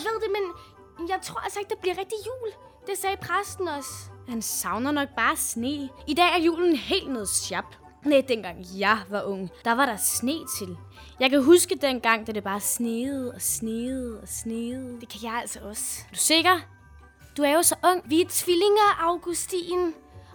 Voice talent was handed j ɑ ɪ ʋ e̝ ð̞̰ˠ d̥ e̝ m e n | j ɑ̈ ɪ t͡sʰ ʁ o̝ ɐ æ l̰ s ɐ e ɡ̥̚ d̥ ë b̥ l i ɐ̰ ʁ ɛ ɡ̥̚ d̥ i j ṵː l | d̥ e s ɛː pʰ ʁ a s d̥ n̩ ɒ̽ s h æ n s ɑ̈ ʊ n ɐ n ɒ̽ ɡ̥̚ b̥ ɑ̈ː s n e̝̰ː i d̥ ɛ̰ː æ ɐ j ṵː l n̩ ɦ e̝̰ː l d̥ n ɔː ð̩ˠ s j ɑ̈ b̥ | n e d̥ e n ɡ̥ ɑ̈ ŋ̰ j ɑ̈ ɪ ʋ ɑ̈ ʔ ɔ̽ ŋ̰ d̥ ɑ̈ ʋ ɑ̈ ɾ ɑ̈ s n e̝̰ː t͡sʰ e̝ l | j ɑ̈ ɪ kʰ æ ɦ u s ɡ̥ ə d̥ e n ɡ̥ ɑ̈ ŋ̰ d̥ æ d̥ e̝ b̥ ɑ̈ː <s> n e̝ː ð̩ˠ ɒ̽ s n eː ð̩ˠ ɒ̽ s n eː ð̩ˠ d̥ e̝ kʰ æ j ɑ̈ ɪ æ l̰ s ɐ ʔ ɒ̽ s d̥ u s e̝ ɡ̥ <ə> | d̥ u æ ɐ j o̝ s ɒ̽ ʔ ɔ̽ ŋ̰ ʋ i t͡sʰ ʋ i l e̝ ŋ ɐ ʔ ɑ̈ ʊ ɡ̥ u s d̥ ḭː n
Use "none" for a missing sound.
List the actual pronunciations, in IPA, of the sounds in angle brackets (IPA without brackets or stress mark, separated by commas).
s, ɐ